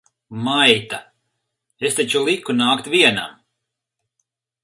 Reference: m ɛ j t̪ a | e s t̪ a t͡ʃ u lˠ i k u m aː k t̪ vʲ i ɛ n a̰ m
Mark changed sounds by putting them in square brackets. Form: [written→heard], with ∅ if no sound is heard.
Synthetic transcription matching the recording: m [ɛ→a] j t̪ a | e s t̪ a t͡ʃ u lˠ i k u [m→n] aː k t̪ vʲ i ɛ n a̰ m